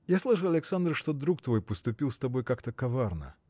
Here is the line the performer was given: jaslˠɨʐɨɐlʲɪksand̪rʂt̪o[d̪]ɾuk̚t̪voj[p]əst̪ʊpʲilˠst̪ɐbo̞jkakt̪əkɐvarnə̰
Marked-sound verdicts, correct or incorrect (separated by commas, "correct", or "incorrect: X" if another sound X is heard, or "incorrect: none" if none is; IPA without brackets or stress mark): correct, correct